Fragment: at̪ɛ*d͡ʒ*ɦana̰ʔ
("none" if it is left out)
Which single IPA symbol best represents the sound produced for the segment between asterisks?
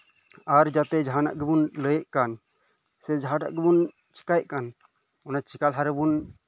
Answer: d͡ʒ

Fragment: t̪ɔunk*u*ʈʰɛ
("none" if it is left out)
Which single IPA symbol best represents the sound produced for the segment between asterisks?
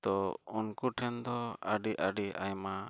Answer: u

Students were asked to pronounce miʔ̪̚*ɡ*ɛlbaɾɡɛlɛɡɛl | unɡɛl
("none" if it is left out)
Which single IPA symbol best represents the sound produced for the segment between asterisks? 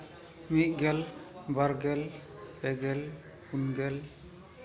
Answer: ɡ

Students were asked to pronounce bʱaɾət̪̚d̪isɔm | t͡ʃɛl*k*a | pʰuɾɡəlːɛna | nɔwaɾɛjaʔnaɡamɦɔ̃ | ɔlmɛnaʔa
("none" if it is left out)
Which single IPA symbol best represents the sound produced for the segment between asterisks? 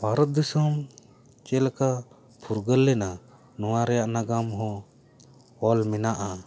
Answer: k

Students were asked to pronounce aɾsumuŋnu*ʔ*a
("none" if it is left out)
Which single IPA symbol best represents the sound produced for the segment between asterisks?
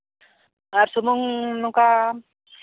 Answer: k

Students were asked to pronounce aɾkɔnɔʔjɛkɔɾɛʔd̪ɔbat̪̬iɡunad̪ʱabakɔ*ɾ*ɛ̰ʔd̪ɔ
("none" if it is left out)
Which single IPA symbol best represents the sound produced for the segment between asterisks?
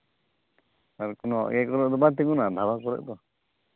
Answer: ɾ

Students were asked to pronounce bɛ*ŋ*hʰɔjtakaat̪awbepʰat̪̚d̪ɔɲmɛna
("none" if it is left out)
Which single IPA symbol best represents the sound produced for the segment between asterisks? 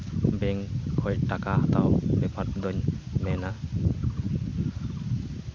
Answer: ŋ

